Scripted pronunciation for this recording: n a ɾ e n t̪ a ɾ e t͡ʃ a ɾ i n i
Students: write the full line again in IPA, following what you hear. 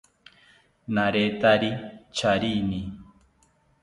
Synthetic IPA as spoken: n a ɾ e t̪ a ɾ i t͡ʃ a ɾ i n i